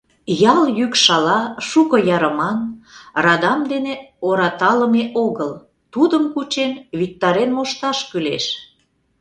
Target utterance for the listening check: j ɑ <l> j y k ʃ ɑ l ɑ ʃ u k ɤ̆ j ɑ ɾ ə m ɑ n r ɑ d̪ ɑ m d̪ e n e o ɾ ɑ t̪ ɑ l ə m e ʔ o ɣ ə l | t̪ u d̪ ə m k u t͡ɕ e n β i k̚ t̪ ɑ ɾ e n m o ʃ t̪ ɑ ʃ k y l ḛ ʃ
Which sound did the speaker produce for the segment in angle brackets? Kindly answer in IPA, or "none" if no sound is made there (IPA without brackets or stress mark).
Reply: l